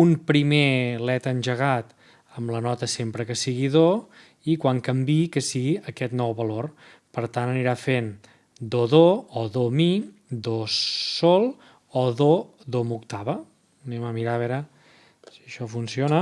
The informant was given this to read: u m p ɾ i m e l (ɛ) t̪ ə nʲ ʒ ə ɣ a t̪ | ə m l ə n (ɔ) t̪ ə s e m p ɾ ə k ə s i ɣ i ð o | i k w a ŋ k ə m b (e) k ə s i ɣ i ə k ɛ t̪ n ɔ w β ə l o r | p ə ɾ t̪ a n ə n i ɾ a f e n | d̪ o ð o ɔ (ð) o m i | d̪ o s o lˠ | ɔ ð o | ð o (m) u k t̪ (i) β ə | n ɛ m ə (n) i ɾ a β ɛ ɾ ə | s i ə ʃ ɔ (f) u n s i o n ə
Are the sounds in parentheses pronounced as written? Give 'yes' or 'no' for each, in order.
yes, yes, no, yes, yes, no, no, yes

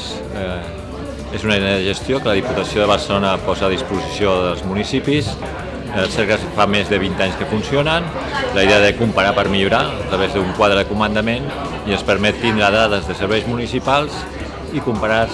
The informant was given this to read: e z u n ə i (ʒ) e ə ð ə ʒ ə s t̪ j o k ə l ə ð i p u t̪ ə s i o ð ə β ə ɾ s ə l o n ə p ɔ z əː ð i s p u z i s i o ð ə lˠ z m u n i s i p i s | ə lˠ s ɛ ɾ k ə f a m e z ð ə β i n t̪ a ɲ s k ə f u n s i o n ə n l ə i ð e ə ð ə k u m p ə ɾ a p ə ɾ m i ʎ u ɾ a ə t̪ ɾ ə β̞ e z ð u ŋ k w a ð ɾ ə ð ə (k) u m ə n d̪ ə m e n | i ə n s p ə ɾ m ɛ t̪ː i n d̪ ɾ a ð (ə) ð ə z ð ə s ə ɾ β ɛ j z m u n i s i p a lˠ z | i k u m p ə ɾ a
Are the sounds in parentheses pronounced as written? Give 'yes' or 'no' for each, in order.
no, yes, no

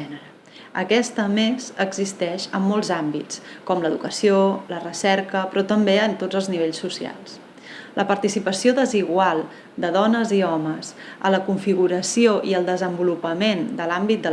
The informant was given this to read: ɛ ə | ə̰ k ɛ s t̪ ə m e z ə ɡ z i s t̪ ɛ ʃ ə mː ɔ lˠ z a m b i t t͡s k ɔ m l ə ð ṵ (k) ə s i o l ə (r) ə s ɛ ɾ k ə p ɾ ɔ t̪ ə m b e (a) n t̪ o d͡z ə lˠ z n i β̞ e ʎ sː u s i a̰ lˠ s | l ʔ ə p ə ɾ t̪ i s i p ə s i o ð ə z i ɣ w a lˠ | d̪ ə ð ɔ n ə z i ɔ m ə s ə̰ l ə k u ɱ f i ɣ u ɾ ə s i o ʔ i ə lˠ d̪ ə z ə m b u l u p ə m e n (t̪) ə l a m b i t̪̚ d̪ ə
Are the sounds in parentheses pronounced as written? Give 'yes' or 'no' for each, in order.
yes, yes, no, no

